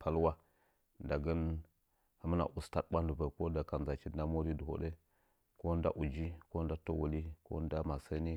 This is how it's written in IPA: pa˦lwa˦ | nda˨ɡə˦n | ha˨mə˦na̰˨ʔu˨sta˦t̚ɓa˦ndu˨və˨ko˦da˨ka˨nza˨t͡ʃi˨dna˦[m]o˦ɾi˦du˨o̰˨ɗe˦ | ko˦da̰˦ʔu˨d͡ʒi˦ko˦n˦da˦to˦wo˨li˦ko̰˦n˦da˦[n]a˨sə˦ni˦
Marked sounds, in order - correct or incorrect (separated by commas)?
correct, incorrect